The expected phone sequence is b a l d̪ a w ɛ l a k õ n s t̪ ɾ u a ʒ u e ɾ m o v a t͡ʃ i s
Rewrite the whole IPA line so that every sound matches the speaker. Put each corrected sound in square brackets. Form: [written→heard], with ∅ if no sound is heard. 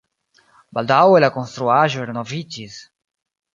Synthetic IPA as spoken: b a l d̪ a w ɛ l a k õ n s t̪ ɾ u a ʒ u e ɾ [m→n] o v [a→i] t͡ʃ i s